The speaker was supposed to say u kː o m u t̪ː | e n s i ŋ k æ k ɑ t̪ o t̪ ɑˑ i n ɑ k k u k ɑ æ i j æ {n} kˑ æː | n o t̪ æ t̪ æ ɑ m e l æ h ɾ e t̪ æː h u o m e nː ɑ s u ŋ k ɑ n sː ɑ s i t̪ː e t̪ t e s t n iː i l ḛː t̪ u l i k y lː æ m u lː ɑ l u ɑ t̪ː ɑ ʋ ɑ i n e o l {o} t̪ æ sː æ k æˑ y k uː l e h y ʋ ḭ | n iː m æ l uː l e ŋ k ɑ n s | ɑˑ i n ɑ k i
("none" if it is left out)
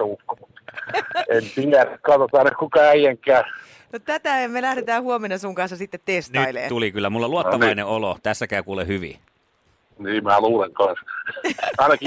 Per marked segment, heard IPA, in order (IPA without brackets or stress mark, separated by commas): ŋ, o